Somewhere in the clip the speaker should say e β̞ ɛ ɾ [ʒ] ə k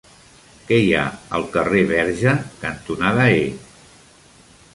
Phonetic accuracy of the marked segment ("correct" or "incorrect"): correct